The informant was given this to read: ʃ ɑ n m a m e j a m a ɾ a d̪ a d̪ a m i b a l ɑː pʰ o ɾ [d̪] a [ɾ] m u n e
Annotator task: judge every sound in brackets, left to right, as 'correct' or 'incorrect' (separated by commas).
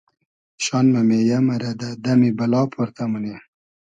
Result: incorrect, incorrect